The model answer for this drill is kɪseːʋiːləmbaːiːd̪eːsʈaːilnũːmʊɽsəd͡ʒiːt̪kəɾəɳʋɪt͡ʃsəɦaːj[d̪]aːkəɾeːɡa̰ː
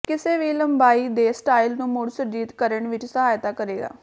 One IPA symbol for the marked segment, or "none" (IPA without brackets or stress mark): t̪